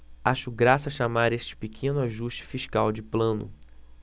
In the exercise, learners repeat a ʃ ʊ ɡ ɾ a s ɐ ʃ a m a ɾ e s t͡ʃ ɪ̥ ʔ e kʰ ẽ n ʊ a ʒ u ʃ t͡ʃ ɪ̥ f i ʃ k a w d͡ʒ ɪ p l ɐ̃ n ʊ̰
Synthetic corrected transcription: a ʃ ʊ ɡ ɾ a s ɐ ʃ a m a ɾ e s t͡ʃ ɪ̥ p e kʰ ẽ n ʊ a ʒ u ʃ t͡ʃ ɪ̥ f i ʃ k a w d͡ʒ ɪ p l ɐ̃ n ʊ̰

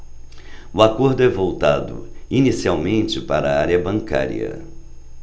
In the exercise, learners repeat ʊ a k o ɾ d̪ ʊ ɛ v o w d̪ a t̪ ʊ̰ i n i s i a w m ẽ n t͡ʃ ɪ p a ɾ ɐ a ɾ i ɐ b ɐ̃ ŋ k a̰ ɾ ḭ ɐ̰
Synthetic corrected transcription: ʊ a k o ɾ d̪ ʊ ɛ v o w t̪ a d̪ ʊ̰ i n i s i a w m ẽ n t͡ʃ ɪ p a ɾ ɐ a ɾ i ɐ b ɐ̃ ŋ k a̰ ɾ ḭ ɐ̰

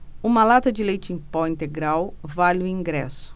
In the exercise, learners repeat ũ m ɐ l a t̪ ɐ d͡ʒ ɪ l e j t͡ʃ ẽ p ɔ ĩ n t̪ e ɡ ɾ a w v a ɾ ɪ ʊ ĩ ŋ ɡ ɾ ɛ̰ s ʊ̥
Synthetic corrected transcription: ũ m ɐ l a t̪ ɐ d͡ʒ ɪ l e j t͡ʃ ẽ p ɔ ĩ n t̪ e ɡ ɾ a w v a l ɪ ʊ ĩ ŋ ɡ ɾ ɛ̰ s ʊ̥

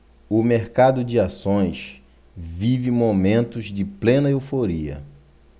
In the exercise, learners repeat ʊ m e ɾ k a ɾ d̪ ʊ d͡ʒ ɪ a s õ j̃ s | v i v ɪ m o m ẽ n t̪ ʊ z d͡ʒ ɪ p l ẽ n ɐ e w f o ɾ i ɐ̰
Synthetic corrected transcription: ʊ m e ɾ k a d̪ ʊ d͡ʒ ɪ a s õ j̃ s | v i v ɪ m o m ẽ n t̪ ʊ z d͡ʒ ɪ p l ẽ n ɐ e w f o ɾ i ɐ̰

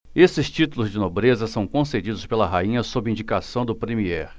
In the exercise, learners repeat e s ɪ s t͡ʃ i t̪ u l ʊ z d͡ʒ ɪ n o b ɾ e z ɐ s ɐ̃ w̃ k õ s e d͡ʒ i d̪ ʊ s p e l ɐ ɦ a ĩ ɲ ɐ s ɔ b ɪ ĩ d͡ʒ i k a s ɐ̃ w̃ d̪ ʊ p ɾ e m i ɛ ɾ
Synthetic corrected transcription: e s ɪ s t͡ʃ i t̪ u l ʊ z d͡ʒ ɪ n o b ɾ e z ɐ s ɐ̃ w̃ k õ s e d͡ʒ i d̪ ʊ s p e l ɐ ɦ a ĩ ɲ ɐ s o b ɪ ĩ d͡ʒ i k a s ɐ̃ w̃ d̪ ʊ p ɾ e m i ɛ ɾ

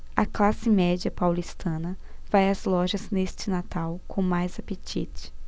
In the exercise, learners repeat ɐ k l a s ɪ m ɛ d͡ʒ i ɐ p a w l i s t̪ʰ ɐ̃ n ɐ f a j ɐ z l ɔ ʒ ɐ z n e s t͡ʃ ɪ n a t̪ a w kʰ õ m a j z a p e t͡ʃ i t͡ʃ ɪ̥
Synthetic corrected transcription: ɐ k l a s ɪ m ɛ d͡ʒ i ɐ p a w l i s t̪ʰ ɐ̃ n ɐ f a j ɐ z l ɔ ʒ ɐ z n e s t͡ʃ ɪ n a t̪ a w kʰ õ m a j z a p e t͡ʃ i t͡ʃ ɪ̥

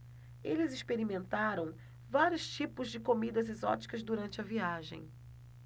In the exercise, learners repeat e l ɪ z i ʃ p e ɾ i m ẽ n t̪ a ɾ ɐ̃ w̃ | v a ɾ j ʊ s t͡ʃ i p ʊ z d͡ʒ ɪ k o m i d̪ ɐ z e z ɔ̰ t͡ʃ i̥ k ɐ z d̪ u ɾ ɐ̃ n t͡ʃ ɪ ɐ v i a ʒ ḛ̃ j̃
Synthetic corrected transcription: e l ɪ z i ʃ p e ɾ i m ẽ n t̪ a ɾ ɐ̃ w̃ | v a ɾ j ʊ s t͡ʃ i p ʊ z d͡ʒ ɪ k o m i d̪ ɐ z e z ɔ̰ t͡ʃ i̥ k ɐ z d̪ u ɾ ɐ̃ n t͡ʃ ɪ ɐ v i a ʒ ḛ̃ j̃

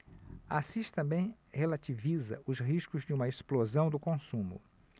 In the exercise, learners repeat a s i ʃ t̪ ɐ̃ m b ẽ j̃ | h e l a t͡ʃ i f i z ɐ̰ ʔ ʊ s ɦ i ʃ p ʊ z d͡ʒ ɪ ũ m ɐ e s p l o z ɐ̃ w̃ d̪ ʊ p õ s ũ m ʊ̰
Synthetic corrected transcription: a s i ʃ t̪ ɐ̃ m b ẽ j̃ | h e l a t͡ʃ i v i z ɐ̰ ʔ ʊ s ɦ i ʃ k ʊ z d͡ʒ ɪ ũ m ɐ e s p l o z ɐ̃ w̃ d̪ ʊ k õ s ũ m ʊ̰

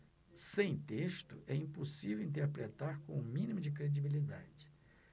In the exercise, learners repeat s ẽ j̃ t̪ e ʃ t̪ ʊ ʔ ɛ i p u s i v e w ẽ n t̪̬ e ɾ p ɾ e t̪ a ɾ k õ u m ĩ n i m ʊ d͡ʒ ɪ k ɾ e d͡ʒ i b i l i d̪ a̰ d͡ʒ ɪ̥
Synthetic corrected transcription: s ẽ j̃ t̪ e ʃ t̪ ʊ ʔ ɛ ĩ p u s i v e w ĩ n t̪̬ e ɾ p ɾ e t̪ a ɾ k õ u m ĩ n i m ʊ d͡ʒ ɪ k ɾ e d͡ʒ i b i l i d̪ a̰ d͡ʒ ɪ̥

